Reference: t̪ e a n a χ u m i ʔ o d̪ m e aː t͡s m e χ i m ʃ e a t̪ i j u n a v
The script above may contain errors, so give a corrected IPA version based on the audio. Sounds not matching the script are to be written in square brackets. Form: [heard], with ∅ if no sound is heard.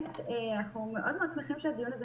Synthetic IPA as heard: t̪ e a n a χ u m [e] ʔ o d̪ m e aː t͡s m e χ i m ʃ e a [d̪] i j u n a [z]